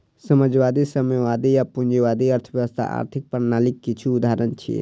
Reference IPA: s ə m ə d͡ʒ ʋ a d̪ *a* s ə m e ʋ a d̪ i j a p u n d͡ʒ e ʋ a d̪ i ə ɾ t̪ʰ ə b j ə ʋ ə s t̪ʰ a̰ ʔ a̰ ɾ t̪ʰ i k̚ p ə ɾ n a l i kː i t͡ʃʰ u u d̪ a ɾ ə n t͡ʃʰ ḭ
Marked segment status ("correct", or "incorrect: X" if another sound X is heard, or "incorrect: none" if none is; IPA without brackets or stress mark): incorrect: i